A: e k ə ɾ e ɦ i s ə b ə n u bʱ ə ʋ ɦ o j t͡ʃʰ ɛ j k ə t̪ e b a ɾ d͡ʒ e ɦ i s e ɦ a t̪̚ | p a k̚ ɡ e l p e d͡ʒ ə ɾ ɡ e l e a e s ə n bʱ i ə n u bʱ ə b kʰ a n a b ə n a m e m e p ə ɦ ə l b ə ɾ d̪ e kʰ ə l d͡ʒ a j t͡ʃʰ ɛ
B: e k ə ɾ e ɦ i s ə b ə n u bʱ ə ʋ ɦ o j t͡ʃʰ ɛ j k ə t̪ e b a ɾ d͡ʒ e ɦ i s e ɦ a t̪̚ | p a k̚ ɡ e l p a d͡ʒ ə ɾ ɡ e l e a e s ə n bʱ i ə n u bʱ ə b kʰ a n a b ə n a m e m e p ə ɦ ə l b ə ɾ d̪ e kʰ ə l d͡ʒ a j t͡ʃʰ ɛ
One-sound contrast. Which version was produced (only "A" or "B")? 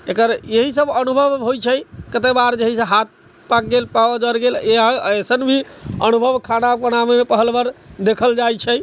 B